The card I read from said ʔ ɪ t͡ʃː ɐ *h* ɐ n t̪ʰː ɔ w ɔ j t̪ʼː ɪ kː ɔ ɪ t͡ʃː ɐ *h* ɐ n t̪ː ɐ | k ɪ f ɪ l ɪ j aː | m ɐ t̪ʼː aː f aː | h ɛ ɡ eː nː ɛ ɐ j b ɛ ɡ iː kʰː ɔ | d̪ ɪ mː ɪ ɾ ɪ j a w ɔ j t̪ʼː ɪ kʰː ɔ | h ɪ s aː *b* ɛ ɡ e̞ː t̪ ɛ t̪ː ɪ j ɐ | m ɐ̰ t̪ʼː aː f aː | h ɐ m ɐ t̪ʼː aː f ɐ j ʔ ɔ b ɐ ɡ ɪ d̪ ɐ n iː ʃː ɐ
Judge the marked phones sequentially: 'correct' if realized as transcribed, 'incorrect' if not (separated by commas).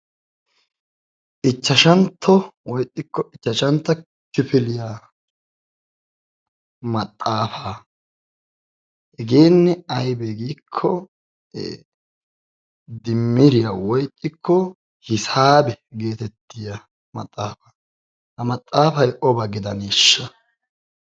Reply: incorrect, incorrect, correct